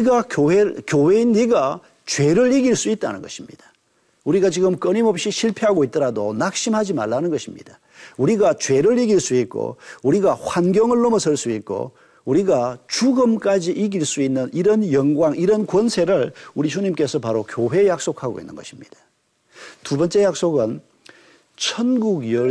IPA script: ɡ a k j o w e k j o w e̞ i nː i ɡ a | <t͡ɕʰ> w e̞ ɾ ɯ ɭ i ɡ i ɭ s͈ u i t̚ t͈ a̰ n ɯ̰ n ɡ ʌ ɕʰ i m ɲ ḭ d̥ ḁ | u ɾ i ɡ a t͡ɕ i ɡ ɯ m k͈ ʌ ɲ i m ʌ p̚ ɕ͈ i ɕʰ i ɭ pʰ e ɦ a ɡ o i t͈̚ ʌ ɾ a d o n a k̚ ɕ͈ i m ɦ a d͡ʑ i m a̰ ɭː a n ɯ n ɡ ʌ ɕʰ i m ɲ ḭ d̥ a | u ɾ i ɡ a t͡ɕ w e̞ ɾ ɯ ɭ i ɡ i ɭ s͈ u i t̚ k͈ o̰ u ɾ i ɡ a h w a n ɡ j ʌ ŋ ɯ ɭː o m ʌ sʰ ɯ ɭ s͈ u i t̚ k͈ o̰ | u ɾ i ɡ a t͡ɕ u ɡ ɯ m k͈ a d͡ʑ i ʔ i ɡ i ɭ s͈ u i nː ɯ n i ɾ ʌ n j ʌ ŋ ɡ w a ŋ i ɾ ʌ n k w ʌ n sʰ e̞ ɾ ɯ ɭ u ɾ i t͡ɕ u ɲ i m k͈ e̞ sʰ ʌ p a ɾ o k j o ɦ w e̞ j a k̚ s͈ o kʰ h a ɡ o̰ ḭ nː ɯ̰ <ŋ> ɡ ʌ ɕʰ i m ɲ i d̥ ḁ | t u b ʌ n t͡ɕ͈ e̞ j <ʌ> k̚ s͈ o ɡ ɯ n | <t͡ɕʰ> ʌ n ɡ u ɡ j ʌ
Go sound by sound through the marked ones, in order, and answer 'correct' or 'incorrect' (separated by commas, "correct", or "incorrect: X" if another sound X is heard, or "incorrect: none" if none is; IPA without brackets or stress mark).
incorrect: t͡ɕ, incorrect: n, incorrect: a, correct